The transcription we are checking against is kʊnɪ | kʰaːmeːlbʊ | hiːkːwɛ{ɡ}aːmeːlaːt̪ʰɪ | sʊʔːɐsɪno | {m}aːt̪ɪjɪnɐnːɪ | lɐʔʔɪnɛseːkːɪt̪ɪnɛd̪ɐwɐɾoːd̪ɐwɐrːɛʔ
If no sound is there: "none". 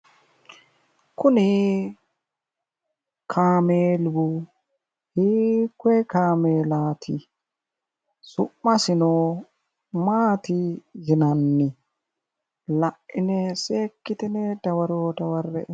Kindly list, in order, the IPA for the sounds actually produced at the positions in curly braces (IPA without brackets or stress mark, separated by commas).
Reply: k, m